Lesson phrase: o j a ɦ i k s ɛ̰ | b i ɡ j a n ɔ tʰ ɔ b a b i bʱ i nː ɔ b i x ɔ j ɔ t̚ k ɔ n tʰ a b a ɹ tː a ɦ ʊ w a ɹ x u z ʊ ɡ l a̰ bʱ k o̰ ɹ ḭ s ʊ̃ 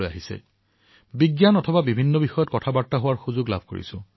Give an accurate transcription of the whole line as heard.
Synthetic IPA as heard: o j a ɦ i s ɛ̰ | b i ɡ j a n ɔ tʰ ɔ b a b i bʱ i nː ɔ b i x ɔ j ɔ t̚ k ɔ tʰ a b a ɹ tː a ɦ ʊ w a ɹ x u z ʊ ɡ l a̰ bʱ k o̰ ɹ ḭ s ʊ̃